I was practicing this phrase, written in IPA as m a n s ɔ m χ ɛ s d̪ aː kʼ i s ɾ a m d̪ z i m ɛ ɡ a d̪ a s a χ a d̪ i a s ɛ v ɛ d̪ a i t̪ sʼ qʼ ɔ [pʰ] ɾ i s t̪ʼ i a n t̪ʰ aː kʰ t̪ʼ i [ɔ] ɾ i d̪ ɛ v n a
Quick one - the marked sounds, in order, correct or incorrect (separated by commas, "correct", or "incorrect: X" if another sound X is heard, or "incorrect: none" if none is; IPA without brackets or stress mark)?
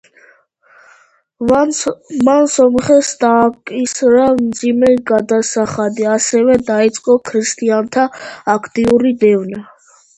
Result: incorrect: kʰ, incorrect: u